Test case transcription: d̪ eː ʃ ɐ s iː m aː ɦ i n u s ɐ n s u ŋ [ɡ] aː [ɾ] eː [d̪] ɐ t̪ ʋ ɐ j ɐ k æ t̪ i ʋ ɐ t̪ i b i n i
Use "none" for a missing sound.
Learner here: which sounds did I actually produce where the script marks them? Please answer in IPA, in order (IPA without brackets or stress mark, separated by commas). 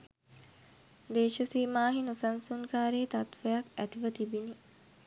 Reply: k, ɾ, t̪